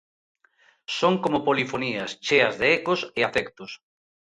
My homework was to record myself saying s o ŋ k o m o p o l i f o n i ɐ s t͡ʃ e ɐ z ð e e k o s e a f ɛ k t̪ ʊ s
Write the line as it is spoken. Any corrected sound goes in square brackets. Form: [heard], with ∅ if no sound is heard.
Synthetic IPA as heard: s o ŋ k o m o p o l i f o n i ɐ s t͡ʃ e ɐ z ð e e k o s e a f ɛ k t̪ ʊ s

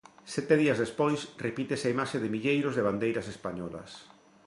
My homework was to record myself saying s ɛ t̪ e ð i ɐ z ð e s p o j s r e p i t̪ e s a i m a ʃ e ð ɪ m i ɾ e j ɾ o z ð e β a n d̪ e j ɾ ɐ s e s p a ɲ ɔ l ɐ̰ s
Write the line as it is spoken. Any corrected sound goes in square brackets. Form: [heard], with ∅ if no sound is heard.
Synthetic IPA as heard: s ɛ t̪ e ð i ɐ z ð e s p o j s r e p i t̪ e s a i m a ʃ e ð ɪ m i [ʎ] e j ɾ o z ð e β a n d̪ e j ɾ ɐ s e s p a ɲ ɔ l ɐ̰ s

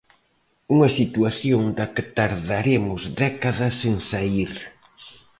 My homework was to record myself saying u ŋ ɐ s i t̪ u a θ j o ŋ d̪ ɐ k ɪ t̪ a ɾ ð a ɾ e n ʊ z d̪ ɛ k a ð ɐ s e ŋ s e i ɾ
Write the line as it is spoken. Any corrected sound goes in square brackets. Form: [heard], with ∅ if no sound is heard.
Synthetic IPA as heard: u ŋ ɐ s i t̪ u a θ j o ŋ d̪ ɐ k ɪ t̪ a ɾ ð a ɾ e [m] ʊ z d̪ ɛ k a ð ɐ s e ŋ s [a] i ɾ

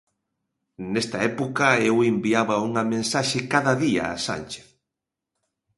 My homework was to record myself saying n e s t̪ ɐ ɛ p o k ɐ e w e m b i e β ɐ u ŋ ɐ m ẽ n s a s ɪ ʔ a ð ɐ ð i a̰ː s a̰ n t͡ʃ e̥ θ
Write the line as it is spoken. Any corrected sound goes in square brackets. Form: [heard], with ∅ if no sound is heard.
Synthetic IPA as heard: n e s t̪ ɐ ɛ p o k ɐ e w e m b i [a] β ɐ u ŋ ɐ m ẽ n s a [ʃ] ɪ [k] a ð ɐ ð i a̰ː s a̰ n t͡ʃ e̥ θ

